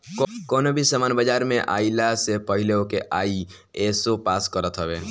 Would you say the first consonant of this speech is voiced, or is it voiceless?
voiceless